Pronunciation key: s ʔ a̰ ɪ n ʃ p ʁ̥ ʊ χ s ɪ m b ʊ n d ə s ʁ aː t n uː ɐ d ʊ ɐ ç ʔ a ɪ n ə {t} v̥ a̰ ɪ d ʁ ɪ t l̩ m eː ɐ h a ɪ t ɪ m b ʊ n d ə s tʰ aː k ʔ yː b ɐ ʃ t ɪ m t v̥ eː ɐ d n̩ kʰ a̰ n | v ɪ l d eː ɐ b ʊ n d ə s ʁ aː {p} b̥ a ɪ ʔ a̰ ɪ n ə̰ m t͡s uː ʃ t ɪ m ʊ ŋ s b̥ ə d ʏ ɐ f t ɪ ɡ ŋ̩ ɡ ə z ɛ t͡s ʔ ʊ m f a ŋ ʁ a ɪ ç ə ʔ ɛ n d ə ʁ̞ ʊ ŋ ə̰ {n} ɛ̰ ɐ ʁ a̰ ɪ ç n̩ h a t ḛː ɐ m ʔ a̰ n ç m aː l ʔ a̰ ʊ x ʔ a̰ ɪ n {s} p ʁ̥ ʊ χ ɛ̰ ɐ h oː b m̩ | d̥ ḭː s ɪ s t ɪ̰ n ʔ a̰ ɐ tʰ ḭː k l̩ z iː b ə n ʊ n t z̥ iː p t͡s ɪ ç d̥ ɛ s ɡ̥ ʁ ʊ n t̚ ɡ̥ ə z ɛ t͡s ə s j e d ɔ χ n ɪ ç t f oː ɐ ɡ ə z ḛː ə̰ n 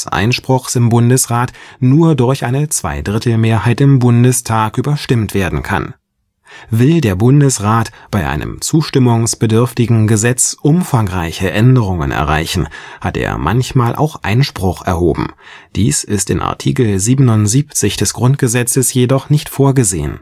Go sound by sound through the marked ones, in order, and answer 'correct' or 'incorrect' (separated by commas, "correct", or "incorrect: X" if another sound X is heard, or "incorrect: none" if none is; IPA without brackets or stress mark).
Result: incorrect: t͡s, incorrect: t, correct, incorrect: ʃ